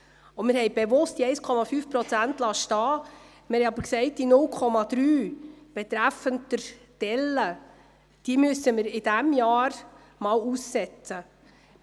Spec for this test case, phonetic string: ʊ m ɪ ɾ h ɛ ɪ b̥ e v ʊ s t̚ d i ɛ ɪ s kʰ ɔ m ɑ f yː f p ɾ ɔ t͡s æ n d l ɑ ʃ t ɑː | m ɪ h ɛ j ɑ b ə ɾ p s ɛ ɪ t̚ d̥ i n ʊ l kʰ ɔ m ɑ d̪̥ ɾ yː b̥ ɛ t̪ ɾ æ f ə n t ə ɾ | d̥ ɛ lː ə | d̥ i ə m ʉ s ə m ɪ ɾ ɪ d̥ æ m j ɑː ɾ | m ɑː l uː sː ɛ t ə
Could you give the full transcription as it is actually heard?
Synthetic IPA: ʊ m ɪ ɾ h ɛ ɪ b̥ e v ʊ s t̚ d i ɛ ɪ s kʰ ɔ m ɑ f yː f p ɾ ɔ t͡s æ n t l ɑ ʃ t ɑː | m ɪ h ɛ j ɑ b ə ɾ k s ɛ ɪ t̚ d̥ i n ʊ l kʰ ɔ m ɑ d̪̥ ɾ yː b̥ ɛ t̪ ɾ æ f ə n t ə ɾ | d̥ ɛ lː ə | d̥ i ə m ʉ s ə m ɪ ɾ ɪ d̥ æ m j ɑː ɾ | m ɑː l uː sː ɛ t͡s ə